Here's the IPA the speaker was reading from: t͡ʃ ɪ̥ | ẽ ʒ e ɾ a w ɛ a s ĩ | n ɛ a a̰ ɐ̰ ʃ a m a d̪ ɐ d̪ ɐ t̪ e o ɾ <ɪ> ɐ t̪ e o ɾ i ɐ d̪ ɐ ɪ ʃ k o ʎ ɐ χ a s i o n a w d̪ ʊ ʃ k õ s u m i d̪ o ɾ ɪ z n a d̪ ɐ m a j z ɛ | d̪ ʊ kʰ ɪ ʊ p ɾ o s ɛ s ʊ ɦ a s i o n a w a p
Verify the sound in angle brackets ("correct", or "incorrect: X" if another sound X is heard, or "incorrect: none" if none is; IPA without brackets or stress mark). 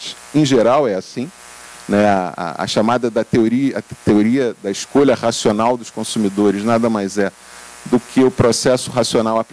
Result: incorrect: i